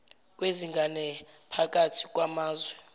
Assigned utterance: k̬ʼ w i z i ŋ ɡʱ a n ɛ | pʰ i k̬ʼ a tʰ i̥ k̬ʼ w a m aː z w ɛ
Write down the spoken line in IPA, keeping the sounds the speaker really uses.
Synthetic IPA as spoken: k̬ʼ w e z i ŋ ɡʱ a n ɛ | pʰ a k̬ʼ a tʰ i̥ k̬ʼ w a m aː z w ɛ

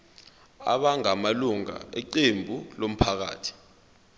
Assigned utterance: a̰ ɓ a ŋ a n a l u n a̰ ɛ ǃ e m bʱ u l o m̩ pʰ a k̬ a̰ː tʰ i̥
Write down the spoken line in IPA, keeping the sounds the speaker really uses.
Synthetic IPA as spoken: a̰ ɓ a ŋ a m a l u ŋ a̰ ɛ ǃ e m bʱ u l o m̩ pʰ a k̬ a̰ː tʰ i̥

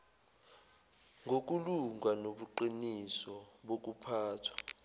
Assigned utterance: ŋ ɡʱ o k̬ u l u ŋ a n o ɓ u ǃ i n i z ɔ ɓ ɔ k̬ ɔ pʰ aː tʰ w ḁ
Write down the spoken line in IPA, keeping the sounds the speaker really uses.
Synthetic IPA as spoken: ŋ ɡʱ o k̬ u l u ŋ a n o ɓ u ǃ i n i s ɔ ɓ o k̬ u pʰ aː tʰ w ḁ

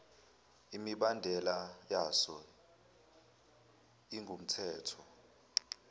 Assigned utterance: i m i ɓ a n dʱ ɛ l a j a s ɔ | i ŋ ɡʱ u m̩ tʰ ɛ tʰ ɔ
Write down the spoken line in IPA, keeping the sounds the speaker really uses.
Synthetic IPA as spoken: i m i ɓ a n dʱ ɛ l a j a s ɔ | i ŋ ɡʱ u m̩ tʰ ɛː tʰ ɔ

